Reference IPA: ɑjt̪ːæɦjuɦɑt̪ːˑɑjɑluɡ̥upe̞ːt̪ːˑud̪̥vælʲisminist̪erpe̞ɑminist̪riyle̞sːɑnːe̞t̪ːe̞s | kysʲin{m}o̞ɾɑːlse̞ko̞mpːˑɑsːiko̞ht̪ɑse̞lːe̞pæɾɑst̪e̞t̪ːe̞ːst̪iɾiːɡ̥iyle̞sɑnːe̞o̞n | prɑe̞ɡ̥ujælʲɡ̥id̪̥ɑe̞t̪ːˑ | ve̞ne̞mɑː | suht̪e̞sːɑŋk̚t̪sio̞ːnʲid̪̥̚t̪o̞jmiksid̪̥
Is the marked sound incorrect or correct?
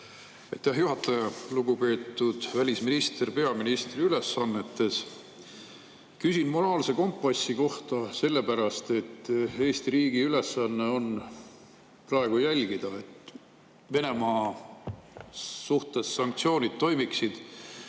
correct